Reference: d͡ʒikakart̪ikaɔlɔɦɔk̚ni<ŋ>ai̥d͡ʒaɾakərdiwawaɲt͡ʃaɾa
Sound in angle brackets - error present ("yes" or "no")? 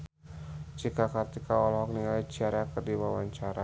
no